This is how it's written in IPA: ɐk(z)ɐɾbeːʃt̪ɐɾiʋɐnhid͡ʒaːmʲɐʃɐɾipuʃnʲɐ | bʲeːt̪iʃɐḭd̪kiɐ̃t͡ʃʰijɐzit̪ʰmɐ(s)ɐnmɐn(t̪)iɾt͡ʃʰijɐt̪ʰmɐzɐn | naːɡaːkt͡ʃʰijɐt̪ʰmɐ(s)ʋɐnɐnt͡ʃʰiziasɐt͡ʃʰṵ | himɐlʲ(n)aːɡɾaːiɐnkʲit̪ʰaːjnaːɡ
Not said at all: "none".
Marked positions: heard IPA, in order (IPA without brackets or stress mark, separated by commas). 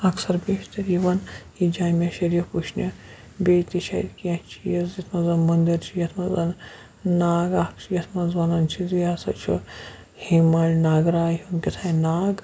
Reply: s, z, d̪, z, n